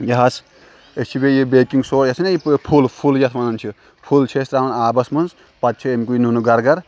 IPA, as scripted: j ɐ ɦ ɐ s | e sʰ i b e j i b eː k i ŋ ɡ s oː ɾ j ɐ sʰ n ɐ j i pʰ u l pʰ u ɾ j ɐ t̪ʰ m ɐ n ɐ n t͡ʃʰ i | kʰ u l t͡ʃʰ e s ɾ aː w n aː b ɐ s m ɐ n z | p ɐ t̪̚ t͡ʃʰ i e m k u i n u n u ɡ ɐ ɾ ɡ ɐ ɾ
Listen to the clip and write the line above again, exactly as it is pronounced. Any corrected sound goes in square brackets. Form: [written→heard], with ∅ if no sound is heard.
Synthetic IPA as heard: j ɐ ɦ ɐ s | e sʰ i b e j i b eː k i ŋ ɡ s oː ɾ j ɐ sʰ n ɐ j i pʰ u l pʰ u [ɾ→l] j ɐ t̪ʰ m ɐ n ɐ n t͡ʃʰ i | [kʰ→pʰ] u l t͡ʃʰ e s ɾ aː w n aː b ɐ s m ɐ n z | p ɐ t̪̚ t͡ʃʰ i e m k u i n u n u ɡ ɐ ɾ ɡ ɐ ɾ